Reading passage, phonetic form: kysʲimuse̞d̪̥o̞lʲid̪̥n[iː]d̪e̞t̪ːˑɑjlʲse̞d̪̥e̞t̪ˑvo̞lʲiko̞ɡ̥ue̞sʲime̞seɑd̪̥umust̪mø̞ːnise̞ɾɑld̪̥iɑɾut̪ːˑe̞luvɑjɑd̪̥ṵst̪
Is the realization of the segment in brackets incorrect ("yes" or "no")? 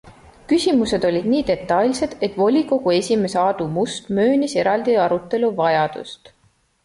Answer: no